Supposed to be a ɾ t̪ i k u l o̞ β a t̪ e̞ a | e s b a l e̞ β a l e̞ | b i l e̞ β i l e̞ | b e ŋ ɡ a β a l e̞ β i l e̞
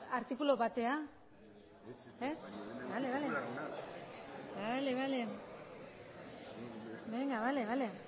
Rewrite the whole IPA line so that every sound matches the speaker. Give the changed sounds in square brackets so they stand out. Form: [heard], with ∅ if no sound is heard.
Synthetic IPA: a ɾ t̪ i k u l o̞ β a t̪ e̞ a | e s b a l e̞ β a l e̞ | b [a] l e̞ β [a] l e̞ | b e ŋ ɡ a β a l e̞ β [a] l e̞